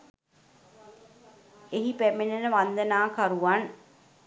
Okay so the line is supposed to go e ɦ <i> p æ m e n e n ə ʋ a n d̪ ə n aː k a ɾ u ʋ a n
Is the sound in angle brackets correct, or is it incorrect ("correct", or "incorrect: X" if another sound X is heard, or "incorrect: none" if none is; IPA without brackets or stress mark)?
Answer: correct